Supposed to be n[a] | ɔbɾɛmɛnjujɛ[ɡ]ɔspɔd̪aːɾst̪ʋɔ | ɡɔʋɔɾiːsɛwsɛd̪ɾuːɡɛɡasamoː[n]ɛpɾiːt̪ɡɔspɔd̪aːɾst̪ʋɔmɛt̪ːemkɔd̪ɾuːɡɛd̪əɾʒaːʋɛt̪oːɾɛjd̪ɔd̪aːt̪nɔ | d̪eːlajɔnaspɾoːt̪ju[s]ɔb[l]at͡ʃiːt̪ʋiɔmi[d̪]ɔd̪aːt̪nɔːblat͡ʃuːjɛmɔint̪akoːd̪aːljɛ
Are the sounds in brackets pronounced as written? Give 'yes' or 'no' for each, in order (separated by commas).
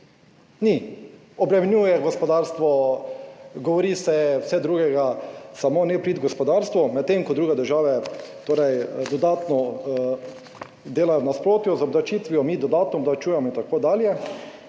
no, yes, yes, no, yes, yes